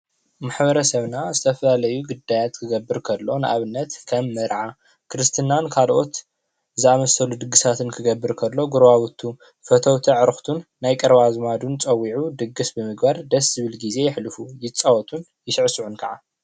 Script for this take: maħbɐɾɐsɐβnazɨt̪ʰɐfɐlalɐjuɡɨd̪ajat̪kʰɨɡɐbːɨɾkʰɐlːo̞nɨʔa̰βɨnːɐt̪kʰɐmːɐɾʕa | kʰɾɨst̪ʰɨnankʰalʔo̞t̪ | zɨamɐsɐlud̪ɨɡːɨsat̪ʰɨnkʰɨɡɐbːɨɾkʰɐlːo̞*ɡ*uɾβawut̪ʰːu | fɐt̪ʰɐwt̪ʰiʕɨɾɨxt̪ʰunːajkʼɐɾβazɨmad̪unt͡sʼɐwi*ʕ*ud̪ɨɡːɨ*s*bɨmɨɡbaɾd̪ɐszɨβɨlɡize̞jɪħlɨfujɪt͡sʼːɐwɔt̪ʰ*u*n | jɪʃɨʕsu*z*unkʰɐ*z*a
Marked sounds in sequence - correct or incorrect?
correct, correct, correct, correct, incorrect: ʕ, incorrect: ʕ

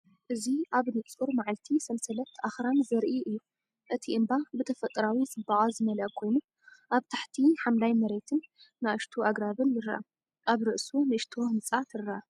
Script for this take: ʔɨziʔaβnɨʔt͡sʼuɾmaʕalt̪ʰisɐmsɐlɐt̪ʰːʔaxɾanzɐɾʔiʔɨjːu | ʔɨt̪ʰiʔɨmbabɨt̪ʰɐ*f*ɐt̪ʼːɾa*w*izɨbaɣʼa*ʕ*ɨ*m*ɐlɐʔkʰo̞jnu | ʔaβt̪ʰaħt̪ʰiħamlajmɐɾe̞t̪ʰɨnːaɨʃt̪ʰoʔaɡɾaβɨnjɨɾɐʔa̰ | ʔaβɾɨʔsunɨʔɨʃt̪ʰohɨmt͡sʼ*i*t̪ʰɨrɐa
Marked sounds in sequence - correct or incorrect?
correct, correct, incorrect: z, correct, incorrect: a

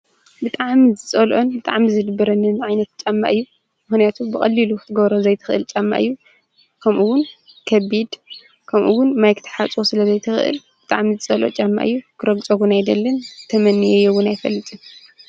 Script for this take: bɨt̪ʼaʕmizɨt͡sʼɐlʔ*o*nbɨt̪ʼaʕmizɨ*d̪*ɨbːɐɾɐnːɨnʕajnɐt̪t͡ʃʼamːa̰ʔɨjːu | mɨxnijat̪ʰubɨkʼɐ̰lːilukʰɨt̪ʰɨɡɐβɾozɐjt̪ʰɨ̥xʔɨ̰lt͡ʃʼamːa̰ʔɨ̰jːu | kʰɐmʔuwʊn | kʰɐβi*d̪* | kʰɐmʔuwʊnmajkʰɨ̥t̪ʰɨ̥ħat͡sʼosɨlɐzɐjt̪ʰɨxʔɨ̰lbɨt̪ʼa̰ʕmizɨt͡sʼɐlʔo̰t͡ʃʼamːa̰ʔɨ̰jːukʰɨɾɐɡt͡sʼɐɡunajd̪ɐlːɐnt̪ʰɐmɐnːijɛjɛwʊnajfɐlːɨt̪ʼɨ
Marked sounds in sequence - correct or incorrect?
correct, correct, correct

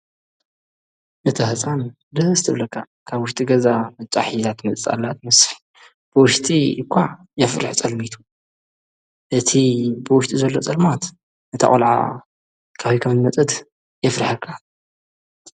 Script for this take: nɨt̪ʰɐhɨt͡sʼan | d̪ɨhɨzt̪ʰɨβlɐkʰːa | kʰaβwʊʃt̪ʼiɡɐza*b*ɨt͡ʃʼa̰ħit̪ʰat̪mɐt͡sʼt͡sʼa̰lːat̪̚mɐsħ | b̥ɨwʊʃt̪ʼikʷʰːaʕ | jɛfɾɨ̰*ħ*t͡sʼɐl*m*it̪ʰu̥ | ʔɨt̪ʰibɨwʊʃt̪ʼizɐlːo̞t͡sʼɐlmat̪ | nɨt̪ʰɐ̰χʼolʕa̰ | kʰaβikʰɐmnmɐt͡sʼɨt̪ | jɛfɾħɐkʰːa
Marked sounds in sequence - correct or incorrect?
incorrect: m, correct, correct

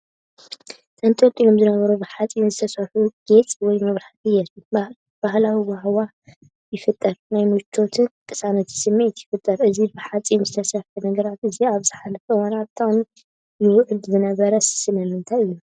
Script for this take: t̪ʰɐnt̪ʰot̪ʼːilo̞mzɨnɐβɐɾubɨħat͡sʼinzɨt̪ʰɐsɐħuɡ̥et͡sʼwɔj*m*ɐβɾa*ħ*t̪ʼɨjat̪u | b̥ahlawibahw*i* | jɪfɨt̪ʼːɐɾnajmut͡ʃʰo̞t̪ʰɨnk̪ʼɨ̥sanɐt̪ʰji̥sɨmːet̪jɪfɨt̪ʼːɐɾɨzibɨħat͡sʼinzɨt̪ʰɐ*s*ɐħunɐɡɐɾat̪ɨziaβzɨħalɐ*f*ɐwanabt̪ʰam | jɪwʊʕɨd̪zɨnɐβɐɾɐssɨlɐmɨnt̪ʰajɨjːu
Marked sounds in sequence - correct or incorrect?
correct, correct, incorrect: a, correct, correct

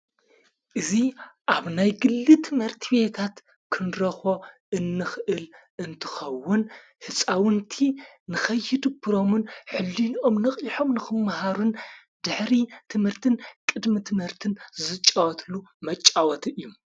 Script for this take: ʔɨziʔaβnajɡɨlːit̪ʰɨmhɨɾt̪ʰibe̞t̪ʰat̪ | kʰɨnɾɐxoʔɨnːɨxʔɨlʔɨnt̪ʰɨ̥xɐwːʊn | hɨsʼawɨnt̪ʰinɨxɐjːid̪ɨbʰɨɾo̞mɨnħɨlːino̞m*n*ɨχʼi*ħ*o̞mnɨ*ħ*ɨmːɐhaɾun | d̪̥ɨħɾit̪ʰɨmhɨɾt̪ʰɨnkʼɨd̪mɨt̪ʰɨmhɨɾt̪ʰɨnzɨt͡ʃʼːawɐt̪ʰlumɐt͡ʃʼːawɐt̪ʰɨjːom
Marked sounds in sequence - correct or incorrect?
correct, correct, incorrect: x

